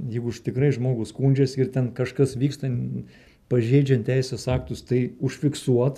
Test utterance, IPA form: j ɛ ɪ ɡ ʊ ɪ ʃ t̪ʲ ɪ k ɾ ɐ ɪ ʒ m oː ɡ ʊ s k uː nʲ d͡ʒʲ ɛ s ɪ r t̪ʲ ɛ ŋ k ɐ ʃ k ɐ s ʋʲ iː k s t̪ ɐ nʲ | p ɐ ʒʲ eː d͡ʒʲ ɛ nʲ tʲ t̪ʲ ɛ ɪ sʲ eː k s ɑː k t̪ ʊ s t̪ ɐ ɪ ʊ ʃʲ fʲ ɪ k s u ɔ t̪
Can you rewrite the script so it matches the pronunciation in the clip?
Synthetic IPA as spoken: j ɛ ɪ ɡ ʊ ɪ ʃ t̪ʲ ɪ k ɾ ɐ ɪ ʒ m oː ɡ ʊ s k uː nʲ d͡ʒʲ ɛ s ɪ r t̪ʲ ɛ n k ɐ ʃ k ɐ s ʋʲ iː k s t̪ ɐ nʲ | p ɐ ʒʲ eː d͡ʒʲ ɛ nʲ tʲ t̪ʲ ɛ ɪ sʲ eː s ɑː k t̪ ʊ s t̪ ɐ ɪ ʊ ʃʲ fʲ ɪ k s u ɔ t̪